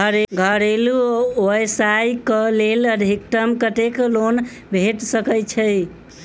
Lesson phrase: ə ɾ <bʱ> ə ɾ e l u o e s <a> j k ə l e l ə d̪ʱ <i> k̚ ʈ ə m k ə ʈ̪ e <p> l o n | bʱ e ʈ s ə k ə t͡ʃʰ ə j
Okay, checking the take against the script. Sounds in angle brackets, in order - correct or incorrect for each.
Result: incorrect, correct, correct, incorrect

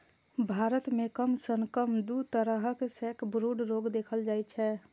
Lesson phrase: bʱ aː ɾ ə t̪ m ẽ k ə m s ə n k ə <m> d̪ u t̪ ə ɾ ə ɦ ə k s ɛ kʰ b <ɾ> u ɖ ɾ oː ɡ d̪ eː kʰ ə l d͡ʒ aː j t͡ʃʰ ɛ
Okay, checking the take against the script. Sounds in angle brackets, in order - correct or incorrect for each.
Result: correct, correct

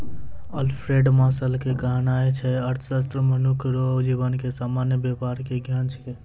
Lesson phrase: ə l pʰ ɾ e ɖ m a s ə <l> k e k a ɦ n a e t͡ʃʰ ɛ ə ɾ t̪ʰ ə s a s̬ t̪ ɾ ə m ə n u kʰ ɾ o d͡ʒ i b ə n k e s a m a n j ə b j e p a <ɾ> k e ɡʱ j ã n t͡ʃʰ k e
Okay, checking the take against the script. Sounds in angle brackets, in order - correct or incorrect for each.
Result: correct, correct

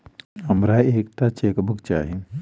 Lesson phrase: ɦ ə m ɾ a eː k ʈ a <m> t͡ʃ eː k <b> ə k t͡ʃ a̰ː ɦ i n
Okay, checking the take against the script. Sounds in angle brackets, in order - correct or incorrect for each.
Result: incorrect, correct

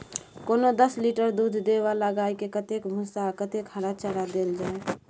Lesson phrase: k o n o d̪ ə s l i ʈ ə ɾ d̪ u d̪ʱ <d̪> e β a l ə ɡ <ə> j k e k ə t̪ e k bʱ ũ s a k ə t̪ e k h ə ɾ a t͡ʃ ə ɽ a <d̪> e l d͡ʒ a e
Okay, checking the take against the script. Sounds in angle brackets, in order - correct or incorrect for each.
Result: correct, incorrect, correct

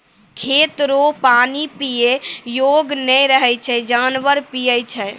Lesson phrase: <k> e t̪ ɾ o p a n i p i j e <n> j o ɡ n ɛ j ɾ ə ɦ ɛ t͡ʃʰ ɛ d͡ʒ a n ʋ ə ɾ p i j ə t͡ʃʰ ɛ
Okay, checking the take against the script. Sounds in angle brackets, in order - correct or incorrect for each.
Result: incorrect, incorrect

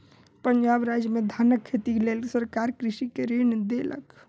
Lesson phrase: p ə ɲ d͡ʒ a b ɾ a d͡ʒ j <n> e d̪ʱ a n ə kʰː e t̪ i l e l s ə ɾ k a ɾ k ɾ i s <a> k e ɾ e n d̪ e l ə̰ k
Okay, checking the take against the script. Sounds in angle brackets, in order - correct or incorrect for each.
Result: incorrect, incorrect

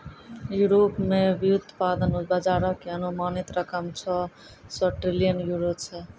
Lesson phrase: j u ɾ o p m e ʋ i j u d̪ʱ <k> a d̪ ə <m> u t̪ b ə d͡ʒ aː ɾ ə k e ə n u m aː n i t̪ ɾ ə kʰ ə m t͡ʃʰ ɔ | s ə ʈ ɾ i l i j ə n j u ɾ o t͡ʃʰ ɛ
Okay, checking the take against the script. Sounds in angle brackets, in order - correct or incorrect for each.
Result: incorrect, incorrect

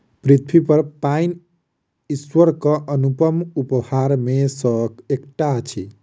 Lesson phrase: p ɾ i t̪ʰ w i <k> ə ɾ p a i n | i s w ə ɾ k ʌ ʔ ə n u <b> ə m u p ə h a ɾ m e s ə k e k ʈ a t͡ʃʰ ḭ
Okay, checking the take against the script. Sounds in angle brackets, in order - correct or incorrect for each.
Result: incorrect, incorrect

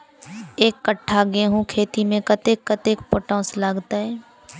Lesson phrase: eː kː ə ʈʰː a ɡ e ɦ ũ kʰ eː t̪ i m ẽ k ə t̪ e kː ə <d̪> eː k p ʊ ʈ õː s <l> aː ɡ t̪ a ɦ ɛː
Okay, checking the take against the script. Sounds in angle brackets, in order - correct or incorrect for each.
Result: incorrect, correct

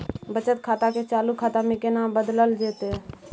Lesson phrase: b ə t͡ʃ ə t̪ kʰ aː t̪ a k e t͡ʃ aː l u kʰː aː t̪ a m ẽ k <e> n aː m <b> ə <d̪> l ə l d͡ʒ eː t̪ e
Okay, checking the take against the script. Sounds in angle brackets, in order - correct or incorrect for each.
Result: correct, correct, correct

